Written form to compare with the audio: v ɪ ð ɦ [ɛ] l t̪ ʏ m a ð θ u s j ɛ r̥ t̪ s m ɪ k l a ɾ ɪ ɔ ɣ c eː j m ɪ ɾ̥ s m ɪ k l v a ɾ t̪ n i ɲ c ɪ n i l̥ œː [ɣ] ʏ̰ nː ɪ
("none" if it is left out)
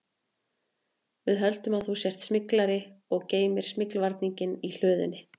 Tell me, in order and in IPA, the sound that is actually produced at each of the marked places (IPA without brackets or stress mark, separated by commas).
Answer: œ, ð